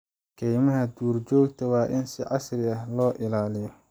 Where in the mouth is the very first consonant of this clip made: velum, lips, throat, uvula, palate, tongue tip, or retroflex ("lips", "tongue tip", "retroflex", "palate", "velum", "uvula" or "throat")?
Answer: velum